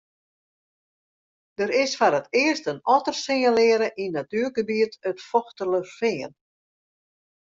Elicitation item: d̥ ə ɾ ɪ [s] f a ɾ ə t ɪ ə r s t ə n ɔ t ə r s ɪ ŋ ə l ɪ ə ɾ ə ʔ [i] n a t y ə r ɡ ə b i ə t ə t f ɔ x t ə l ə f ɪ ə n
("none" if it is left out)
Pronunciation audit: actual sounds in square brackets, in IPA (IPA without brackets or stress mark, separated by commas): s, i